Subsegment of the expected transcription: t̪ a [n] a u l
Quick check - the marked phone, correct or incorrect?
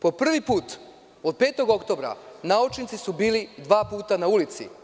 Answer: correct